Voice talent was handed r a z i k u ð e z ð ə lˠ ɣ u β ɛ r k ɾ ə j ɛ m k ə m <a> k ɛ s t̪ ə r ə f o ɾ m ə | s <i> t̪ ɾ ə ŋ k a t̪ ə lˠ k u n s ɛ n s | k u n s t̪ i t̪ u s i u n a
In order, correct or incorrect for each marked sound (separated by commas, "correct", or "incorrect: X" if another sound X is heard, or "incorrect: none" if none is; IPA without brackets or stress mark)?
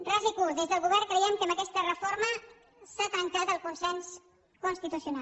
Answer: incorrect: ə, incorrect: a